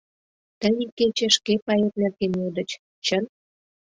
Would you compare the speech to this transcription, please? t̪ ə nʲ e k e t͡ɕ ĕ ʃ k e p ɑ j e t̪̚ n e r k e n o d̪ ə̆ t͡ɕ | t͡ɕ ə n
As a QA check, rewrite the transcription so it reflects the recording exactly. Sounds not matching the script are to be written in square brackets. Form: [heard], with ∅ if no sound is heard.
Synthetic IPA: t̪ ə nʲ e k e t͡ɕ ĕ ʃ k e p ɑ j e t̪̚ n e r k e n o d̪ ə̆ t͡ɕ | t͡ɕ ə n